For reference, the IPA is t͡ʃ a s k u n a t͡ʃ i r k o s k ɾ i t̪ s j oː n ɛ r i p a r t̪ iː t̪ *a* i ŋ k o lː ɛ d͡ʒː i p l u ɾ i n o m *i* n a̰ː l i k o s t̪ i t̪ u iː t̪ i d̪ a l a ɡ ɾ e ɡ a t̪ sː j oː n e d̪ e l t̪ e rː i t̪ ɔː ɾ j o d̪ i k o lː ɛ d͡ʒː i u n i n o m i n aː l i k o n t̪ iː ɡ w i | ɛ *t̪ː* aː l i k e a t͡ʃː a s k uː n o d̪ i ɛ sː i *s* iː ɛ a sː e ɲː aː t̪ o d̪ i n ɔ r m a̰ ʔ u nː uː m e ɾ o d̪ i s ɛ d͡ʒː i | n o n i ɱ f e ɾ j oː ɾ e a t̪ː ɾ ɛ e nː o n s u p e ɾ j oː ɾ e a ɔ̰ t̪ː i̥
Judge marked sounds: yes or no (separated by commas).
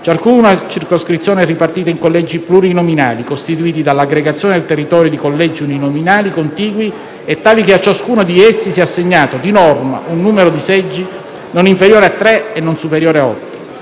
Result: yes, yes, yes, yes